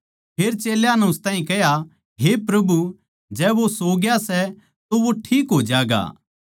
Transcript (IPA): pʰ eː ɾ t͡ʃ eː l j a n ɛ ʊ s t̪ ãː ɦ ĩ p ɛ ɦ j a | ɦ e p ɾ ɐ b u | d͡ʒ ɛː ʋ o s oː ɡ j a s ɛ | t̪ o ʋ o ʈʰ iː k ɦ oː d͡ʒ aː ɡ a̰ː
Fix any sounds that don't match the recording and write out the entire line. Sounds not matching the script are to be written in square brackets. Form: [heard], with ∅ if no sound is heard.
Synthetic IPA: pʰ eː ɾ t͡ʃ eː l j a n ɛ ʊ s t̪ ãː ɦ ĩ [k] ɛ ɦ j a | ɦ e p ɾ ɐ b u | d͡ʒ ɛː ʋ o s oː ɡ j a s ɛ | t̪ o ʋ o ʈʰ iː k ɦ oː d͡ʒ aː ɡ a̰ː